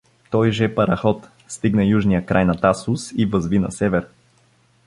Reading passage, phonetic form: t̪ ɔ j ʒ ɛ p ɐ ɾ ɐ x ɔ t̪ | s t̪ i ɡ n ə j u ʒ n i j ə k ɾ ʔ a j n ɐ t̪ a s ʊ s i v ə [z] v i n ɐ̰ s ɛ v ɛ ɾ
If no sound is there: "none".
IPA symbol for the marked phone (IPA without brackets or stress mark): z